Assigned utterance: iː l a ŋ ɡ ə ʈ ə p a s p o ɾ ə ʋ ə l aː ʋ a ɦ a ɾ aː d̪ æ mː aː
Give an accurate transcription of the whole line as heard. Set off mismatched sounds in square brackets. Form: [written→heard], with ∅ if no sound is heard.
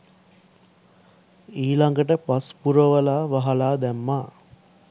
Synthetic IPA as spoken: iː l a ŋ ɡ ə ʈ ə p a s p [o→u] ɾ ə ʋ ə l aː ʋ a ɦ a [ɾ→l] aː d̪ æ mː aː